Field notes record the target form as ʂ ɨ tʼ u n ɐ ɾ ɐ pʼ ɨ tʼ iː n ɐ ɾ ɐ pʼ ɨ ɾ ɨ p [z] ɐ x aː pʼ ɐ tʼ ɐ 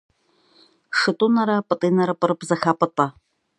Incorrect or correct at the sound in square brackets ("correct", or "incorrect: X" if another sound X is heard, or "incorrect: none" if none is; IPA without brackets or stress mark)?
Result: correct